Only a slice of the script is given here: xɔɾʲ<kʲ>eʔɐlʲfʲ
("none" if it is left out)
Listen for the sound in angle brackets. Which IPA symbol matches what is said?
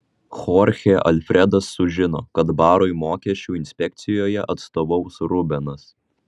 xʲ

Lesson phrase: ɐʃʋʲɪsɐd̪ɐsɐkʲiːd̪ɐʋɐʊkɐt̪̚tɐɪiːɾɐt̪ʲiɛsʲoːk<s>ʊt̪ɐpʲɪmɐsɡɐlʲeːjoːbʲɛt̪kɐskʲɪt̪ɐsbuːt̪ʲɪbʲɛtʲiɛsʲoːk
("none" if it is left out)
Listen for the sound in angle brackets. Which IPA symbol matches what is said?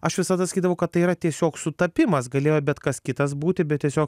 s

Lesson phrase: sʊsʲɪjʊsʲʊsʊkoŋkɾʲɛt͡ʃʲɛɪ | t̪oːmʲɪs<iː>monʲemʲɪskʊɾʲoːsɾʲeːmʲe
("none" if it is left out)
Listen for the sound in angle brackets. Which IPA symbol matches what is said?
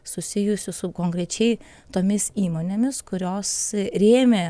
iː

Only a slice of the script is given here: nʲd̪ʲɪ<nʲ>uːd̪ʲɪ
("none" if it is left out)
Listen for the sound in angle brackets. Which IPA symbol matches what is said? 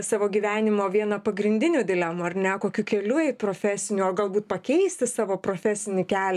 nʲ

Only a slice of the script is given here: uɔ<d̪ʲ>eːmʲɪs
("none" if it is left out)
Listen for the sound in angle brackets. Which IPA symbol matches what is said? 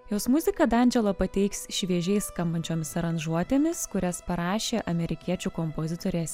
t̪ʲ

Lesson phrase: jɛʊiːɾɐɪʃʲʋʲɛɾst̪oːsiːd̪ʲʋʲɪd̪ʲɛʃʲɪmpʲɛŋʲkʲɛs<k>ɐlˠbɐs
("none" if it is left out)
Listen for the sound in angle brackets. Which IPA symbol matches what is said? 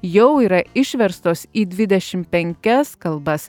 k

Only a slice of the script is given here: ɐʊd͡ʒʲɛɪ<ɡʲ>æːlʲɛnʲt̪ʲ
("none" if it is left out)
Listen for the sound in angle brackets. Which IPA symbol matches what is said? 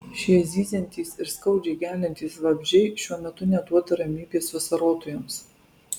ɡʲ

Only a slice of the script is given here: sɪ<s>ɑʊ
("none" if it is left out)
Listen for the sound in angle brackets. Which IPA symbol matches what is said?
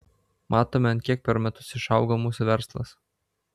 ʃ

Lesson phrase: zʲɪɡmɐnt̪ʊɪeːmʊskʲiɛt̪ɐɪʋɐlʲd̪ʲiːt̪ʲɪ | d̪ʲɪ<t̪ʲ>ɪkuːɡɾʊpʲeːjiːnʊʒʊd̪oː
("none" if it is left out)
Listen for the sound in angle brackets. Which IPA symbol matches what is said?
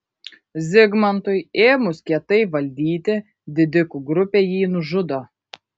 d̪ʲ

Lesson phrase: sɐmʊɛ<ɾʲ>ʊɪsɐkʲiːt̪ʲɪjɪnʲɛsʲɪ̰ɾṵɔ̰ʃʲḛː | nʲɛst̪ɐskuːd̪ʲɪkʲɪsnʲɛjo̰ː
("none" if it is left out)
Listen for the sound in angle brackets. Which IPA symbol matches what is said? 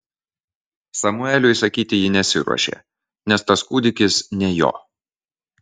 lʲ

